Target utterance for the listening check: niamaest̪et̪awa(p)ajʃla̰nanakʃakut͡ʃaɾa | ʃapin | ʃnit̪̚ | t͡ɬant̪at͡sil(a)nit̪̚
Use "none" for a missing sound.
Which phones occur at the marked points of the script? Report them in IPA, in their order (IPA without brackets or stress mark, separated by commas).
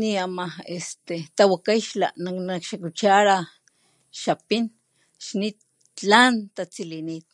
k, i